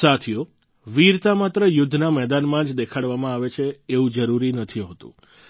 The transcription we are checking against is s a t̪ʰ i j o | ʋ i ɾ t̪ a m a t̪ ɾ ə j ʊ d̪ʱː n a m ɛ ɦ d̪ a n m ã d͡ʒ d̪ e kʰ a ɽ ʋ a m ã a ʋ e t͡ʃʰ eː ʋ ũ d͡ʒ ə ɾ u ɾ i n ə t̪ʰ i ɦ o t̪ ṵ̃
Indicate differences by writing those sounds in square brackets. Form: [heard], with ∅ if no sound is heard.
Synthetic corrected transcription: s a t̪ʰ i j o | ʋ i ɾ t̪ a m a t̪ ɾ ə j ʊ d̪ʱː n a m ɛ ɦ d̪ a n m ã d͡ʒ d̪ e kʰ a ɽ ʋ a m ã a ʋ e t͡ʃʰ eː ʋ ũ d͡ʒ ə ɾ u ɾ i n ə t̪ʰ i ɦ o t̪ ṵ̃